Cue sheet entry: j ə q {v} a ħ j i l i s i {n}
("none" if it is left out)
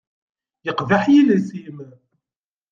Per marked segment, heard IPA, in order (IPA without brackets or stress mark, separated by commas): v, m